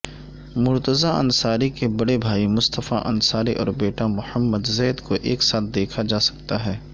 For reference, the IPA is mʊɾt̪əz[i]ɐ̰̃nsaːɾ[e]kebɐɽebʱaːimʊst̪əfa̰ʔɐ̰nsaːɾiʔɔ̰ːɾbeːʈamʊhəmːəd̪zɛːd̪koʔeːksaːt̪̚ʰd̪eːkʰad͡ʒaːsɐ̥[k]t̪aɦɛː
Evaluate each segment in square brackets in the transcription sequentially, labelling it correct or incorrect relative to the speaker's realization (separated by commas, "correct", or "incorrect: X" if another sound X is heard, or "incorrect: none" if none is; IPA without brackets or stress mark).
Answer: incorrect: a, incorrect: i, correct